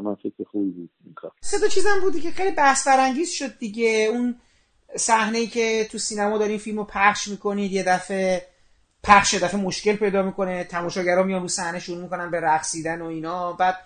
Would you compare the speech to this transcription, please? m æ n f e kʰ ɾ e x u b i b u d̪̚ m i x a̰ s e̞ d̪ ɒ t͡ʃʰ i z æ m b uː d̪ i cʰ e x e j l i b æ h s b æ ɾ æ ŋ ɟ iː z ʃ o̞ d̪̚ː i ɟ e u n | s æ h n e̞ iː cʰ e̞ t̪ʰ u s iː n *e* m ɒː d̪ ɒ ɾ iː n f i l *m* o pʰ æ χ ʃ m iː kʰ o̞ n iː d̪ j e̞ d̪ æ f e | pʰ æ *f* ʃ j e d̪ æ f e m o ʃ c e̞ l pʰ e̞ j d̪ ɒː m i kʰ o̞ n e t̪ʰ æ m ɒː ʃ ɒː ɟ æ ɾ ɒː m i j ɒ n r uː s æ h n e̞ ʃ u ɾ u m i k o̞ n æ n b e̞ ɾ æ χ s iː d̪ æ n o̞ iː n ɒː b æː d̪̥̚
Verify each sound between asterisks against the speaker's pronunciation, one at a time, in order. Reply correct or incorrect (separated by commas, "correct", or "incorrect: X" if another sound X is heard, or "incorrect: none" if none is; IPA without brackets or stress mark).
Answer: incorrect: æ, correct, incorrect: χ